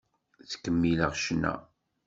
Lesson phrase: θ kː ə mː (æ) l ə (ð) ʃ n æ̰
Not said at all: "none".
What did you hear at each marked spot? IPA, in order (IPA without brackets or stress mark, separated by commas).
i, ʁ